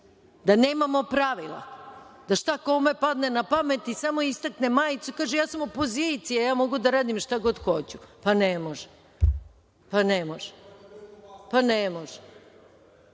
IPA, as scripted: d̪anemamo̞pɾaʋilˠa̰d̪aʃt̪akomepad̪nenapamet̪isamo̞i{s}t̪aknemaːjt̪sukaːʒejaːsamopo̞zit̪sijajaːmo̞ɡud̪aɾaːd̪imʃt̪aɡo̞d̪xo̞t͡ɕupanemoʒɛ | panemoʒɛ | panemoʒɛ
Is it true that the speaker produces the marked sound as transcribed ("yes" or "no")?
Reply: yes